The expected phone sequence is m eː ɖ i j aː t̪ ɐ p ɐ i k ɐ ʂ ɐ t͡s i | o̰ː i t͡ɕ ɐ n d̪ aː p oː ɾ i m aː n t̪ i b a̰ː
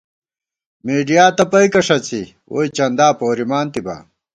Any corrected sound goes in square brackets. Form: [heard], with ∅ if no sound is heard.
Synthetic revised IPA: m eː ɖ i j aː t̪ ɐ p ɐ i k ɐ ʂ ɐ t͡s i | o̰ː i t͡ɕ ɐ n d̪ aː p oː ɾ i m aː n t̪ i b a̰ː

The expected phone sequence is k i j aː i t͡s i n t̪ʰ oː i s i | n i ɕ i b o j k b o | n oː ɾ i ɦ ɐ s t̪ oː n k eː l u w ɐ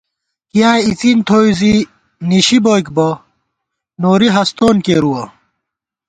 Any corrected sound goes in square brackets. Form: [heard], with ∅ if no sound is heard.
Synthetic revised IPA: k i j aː i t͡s i n t̪ʰ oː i [z] i | n i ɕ i b o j k b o | n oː ɾ i ɦ ɐ s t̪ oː n k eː [ɾ] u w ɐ

